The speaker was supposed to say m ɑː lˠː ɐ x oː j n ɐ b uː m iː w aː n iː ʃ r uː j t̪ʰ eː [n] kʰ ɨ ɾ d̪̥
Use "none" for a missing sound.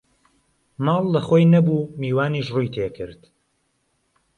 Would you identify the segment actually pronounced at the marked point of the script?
none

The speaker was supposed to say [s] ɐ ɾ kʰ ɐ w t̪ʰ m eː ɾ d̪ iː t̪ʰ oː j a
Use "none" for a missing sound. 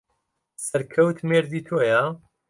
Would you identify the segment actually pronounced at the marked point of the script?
s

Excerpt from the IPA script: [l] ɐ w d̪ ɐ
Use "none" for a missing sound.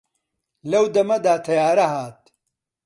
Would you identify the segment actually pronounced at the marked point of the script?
l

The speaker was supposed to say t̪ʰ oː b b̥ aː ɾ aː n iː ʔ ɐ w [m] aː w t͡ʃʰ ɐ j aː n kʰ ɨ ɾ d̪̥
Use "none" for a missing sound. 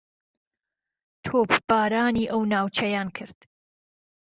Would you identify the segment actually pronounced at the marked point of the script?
n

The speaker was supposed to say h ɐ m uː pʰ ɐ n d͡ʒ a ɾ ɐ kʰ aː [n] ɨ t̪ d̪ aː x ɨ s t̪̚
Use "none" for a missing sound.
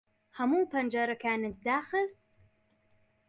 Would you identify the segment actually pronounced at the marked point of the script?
n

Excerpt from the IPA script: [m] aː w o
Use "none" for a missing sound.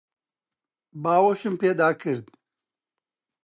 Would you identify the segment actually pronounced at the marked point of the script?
b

